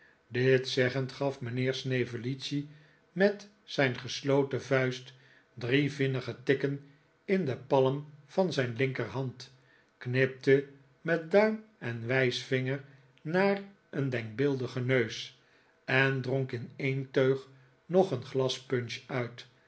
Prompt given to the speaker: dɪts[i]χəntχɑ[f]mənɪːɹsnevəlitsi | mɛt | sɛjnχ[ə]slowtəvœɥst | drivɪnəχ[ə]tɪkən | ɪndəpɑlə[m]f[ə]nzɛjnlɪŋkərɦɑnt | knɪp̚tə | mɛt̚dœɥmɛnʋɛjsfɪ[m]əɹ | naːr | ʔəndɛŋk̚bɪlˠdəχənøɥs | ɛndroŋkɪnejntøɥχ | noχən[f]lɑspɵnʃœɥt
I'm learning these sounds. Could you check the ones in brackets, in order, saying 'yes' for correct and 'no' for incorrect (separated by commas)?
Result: no, yes, yes, yes, yes, no, no, no